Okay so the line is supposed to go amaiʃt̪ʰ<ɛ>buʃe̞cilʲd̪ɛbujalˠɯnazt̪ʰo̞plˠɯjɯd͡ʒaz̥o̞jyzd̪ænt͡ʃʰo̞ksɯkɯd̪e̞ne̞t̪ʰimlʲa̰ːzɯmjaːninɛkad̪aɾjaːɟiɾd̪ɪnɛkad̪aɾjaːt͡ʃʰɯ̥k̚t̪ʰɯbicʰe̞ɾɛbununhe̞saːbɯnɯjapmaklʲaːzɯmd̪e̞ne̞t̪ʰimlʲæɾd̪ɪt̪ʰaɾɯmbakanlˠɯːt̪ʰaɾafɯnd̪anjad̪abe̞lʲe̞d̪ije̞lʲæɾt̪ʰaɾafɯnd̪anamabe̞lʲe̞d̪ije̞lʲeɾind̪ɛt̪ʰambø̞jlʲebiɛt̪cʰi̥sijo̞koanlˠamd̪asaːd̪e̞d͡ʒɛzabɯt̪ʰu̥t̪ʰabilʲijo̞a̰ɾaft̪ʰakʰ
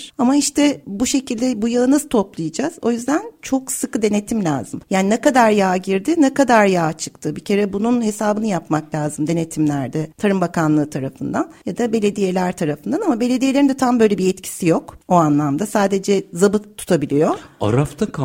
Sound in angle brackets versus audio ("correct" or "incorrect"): correct